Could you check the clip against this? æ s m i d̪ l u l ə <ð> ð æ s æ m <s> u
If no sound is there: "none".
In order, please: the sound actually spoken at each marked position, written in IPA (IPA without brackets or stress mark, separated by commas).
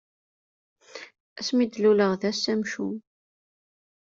ʁ, ʃ